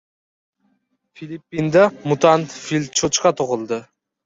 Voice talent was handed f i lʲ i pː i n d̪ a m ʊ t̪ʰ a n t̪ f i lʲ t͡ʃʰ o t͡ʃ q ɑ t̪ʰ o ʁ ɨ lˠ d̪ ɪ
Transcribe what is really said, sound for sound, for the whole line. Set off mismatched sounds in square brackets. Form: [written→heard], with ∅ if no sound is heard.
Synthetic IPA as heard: f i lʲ i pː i n d̪ a m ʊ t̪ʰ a n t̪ f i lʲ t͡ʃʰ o t͡ʃ q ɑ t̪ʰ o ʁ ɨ lˠ d̪ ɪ